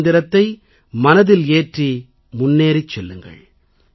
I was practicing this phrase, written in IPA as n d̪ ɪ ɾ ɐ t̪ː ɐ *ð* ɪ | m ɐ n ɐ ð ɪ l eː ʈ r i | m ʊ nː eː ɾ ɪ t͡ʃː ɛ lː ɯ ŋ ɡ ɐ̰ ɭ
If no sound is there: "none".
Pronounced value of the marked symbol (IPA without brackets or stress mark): none